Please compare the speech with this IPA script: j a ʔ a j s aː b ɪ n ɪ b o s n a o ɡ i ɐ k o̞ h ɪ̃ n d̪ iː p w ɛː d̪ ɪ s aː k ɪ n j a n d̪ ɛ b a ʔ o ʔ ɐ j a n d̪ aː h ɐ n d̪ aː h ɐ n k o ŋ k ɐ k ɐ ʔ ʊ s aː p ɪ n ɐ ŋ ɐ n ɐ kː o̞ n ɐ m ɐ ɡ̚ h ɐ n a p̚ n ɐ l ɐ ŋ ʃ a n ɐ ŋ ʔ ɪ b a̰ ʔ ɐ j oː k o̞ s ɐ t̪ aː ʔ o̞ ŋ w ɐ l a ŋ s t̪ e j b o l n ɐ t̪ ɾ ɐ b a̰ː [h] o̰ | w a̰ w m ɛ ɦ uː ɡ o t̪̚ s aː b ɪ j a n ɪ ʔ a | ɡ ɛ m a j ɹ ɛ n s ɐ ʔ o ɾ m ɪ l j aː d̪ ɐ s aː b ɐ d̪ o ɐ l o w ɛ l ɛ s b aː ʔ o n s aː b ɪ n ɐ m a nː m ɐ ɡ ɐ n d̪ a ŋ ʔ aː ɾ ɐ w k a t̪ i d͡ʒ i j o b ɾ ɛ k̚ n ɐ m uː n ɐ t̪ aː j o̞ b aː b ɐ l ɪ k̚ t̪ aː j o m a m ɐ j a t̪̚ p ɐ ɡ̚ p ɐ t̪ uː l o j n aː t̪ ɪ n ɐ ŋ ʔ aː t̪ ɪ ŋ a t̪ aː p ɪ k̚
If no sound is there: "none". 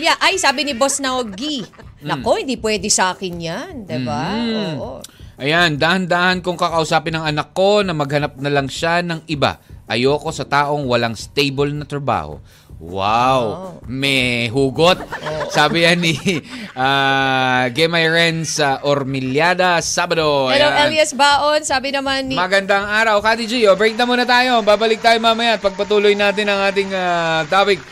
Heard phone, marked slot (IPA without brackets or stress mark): h